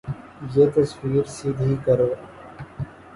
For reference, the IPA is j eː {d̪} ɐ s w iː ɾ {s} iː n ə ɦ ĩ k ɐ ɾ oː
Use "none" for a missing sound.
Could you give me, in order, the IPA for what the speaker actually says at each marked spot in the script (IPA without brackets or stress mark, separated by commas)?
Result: t̪, s